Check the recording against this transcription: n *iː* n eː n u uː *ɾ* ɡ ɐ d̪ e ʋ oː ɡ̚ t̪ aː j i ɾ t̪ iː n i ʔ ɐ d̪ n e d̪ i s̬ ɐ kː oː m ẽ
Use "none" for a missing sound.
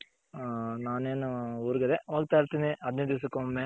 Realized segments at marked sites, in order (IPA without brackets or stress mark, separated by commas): aː, ɾ